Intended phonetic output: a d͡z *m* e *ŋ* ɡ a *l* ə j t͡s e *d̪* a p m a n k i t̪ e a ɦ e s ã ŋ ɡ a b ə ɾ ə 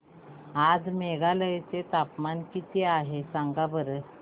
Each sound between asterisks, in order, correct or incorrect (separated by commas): correct, incorrect, correct, incorrect